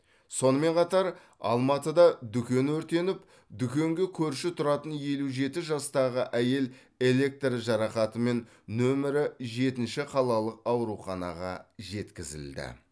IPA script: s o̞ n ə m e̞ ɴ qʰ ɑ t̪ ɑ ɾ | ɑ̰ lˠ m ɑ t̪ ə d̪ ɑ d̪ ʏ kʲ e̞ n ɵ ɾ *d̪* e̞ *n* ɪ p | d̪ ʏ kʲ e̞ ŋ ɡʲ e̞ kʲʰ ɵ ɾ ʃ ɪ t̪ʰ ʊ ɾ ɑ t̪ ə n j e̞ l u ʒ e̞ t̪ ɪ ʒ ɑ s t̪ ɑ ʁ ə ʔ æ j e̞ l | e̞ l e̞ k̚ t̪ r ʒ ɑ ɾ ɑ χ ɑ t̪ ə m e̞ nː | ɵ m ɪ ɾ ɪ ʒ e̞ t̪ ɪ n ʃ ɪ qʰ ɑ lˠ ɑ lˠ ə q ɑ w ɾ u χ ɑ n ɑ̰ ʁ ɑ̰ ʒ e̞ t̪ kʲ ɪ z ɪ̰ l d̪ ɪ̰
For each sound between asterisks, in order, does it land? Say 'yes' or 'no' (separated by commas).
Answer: no, yes